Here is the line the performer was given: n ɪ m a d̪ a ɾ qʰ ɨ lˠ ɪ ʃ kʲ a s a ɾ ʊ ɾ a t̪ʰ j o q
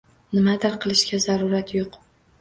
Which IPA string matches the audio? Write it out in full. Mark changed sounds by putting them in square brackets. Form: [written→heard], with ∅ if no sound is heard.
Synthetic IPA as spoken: n ɪ m a d̪ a ɾ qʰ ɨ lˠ ɪ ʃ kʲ a [s→z] a ɾ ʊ ɾ a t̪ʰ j o q